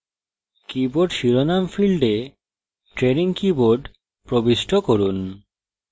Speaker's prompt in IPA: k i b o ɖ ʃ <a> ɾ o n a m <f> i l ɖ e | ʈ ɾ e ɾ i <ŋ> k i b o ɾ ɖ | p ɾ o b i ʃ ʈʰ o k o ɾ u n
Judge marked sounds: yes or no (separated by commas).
no, yes, yes